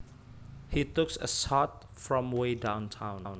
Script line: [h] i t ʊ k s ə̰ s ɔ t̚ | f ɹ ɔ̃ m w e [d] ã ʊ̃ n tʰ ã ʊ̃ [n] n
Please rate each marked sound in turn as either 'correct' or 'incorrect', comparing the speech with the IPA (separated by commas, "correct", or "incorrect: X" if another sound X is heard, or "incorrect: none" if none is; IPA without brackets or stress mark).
correct, correct, correct